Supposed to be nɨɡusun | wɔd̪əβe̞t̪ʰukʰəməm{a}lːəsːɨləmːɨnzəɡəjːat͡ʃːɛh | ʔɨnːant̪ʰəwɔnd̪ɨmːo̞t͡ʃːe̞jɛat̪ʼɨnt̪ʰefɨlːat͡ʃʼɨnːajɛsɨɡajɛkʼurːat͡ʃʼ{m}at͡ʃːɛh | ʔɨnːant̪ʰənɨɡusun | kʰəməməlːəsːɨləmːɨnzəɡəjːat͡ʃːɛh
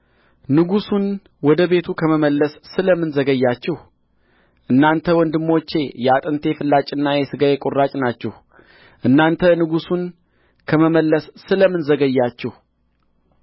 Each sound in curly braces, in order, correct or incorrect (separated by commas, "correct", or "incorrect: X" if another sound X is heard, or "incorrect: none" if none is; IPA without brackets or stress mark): incorrect: ə, incorrect: n